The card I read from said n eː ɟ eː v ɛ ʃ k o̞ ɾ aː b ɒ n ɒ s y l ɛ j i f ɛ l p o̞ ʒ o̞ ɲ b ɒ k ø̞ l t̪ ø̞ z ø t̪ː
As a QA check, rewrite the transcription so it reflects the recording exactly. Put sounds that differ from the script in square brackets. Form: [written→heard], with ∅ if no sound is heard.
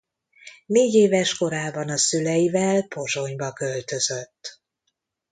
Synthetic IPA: n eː ɟ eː v ɛ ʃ k o̞ ɾ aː b ɒ n ɒ s y l ɛ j i [f→v] ɛ l p o̞ ʒ o̞ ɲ b ɒ k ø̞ l t̪ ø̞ z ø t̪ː